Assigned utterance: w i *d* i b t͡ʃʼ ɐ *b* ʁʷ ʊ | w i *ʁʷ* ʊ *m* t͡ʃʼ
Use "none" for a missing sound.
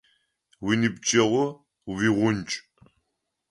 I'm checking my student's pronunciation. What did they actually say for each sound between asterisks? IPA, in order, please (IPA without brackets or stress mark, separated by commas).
n, none, ʁʷ, n